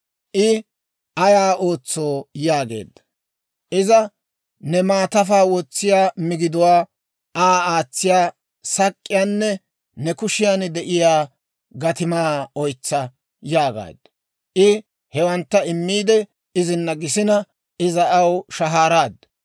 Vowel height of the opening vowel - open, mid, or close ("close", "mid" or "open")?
close